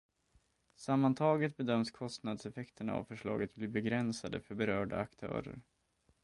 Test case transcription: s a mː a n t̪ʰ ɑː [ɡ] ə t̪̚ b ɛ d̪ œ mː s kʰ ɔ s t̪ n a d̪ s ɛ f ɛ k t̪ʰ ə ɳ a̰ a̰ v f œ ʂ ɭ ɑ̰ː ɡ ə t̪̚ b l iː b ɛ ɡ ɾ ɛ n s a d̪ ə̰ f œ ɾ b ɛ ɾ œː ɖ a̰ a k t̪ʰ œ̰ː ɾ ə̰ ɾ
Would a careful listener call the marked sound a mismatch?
no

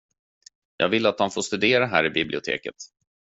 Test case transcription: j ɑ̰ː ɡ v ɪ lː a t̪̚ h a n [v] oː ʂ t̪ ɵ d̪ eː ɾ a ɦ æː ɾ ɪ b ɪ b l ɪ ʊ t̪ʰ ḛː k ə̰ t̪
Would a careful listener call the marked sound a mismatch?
yes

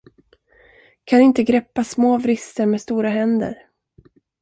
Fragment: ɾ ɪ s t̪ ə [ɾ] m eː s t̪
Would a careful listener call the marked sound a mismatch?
no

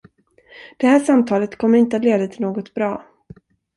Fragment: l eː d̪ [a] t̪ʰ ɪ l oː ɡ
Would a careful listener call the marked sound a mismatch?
no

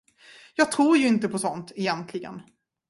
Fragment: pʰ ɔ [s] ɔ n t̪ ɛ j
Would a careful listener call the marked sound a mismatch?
no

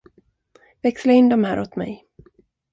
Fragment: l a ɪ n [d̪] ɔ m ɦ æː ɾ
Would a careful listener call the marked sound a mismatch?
no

